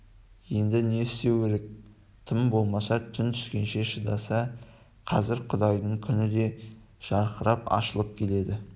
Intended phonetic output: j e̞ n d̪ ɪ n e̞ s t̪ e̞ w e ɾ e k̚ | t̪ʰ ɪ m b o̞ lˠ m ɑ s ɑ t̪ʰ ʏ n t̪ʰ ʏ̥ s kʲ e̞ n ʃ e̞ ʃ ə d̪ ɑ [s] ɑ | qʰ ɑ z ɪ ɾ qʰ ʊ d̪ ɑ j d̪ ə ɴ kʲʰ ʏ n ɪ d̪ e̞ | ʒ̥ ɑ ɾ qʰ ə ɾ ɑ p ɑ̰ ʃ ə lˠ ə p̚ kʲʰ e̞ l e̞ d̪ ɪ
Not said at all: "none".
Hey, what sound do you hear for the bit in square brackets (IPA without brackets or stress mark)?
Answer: s